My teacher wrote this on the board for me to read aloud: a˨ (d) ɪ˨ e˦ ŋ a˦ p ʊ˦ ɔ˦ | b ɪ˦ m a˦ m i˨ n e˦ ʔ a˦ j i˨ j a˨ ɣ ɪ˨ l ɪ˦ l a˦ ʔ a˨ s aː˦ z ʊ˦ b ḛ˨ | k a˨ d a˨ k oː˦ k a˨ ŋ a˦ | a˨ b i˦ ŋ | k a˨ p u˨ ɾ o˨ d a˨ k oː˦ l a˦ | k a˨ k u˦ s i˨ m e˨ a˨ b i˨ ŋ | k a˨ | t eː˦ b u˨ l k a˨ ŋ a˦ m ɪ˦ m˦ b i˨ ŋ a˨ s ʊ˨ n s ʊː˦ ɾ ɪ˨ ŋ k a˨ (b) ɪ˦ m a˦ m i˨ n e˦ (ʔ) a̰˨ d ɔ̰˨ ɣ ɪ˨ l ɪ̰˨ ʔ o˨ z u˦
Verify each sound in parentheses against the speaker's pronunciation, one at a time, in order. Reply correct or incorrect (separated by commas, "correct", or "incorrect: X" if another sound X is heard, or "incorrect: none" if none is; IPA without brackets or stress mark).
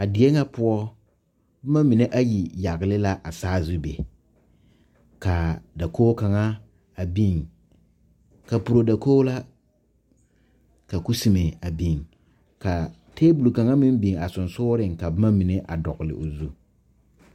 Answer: correct, correct, correct